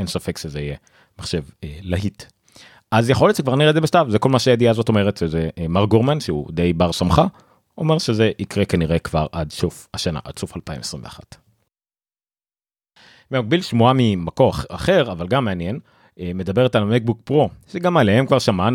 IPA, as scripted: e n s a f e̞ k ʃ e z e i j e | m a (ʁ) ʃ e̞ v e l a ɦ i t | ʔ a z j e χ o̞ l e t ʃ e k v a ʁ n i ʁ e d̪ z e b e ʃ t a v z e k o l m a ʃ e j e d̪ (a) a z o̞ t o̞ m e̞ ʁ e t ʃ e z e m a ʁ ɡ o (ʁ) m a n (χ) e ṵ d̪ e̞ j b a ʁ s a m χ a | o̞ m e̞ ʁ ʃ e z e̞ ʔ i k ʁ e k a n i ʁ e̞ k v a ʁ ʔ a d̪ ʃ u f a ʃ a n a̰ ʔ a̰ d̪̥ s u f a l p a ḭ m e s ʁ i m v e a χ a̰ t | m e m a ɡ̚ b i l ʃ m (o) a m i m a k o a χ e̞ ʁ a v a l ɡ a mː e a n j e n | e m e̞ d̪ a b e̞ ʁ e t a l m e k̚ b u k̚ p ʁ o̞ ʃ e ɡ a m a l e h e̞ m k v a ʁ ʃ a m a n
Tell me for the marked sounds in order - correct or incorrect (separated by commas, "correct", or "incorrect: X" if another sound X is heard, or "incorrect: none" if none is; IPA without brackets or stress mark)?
incorrect: χ, incorrect: i, correct, incorrect: ʃ, incorrect: u